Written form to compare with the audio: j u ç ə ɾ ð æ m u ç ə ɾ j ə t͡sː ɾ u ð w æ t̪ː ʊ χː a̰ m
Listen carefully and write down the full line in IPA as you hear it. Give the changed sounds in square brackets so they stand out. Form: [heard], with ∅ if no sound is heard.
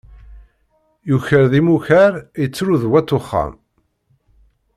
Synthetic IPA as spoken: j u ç ə ɾ ð [i] m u ç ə ɾ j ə t͡sː ɾ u ð w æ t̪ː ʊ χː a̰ m